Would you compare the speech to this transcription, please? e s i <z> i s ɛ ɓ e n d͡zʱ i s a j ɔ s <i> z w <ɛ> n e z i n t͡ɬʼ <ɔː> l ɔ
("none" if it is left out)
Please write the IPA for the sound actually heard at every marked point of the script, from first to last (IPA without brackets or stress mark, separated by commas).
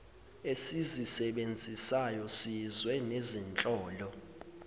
z, i, ɛ, ɔː